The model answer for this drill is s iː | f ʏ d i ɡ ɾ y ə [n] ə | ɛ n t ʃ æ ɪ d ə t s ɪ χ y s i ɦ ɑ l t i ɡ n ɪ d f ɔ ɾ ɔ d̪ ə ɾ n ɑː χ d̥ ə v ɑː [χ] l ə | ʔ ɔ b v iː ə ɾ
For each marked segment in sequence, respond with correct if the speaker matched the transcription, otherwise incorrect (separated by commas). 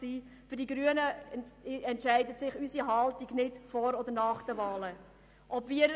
correct, incorrect